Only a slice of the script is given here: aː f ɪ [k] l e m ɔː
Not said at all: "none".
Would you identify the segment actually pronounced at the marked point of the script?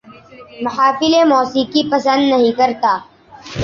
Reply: none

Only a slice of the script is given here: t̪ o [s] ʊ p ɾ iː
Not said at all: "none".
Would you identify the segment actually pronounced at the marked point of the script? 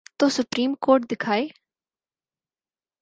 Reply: s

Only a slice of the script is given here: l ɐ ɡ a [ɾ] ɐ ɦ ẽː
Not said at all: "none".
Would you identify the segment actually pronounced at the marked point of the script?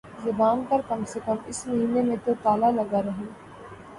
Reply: ɾ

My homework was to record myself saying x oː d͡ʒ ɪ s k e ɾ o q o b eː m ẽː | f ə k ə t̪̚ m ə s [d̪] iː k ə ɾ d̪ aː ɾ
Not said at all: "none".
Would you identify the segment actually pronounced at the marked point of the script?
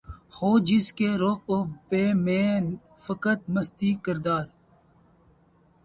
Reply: t̪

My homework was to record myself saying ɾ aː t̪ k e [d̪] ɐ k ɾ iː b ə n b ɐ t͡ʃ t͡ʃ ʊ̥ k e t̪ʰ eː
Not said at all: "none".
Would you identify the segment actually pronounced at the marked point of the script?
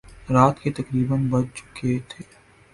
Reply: t̪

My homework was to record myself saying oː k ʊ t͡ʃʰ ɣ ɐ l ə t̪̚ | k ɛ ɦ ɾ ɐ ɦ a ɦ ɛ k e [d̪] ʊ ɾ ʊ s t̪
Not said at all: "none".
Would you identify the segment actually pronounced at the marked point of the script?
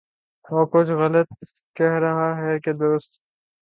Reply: d̪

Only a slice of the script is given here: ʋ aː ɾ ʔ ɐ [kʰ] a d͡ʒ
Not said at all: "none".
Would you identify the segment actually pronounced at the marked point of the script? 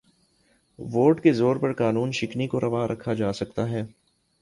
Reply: kʰ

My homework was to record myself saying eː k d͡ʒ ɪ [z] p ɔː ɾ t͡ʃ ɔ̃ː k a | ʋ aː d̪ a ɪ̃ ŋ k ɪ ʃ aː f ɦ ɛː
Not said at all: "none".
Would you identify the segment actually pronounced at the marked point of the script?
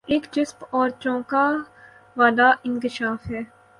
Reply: s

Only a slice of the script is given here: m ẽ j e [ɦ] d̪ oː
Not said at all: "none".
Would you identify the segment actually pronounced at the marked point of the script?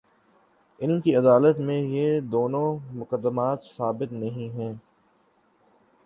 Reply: none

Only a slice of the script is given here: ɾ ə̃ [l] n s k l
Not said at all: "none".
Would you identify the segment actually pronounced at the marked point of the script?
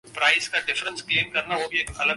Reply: none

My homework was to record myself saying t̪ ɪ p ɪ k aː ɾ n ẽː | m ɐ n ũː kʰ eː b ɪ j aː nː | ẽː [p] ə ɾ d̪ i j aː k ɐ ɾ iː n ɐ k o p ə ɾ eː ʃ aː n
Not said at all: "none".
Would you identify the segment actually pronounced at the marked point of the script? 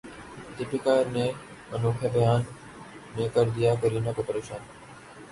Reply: k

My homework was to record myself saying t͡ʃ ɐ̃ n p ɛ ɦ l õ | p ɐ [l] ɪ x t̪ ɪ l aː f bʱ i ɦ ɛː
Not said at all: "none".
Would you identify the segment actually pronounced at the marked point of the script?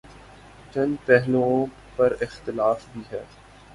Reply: ɾ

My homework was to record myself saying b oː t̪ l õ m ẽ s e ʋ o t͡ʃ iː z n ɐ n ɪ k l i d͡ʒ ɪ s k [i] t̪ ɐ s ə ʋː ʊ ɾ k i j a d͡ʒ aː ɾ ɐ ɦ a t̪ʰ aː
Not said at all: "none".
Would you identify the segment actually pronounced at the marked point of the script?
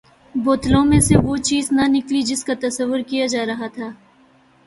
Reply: a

